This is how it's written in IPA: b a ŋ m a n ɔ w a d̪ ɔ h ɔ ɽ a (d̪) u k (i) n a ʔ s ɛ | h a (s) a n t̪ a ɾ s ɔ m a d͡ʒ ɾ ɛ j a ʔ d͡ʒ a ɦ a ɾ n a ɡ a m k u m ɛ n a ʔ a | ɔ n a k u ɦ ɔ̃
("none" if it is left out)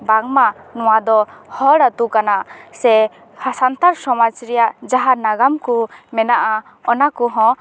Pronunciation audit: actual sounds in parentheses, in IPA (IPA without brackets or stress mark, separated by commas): t̪, a, s